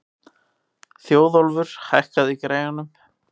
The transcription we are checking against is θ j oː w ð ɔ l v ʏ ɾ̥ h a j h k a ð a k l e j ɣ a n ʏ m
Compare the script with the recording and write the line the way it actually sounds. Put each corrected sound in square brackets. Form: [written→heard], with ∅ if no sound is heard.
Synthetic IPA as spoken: θ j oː w ð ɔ l v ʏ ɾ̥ h a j h k a ð [a→i] k [l→ɾ] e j ɣ a n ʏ m